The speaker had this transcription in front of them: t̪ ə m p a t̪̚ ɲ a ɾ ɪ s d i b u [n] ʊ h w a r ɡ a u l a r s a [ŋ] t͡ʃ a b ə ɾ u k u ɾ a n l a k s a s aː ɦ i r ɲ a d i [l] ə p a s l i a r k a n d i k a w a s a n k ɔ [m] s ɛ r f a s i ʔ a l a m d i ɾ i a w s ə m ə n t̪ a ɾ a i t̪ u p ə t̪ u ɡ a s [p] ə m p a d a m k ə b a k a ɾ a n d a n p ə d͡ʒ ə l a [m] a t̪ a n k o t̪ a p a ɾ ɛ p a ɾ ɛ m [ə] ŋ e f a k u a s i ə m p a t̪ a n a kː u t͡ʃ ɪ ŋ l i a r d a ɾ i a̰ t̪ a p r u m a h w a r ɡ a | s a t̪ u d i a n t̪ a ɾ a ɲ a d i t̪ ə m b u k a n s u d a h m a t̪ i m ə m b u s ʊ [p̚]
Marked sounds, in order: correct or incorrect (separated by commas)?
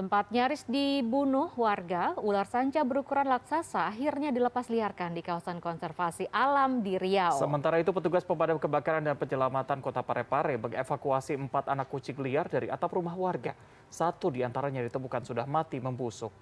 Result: correct, incorrect, correct, incorrect, correct, correct, correct, incorrect